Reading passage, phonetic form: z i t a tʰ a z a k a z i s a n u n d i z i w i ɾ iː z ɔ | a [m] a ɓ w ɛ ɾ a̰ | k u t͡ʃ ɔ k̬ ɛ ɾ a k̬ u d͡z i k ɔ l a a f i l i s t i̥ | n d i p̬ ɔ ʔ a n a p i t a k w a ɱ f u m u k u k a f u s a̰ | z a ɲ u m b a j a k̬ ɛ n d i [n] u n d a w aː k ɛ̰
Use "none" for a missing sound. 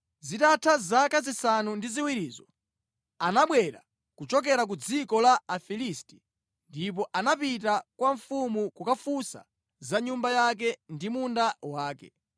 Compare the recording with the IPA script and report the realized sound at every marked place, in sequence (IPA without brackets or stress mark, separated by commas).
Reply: n, m